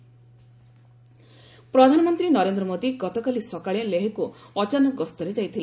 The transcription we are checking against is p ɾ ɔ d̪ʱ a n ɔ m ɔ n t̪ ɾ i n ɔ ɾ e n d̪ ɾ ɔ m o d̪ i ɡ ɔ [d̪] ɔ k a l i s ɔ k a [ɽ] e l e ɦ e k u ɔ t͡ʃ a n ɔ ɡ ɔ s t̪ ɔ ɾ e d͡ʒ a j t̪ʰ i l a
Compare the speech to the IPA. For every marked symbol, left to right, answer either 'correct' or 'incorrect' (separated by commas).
incorrect, incorrect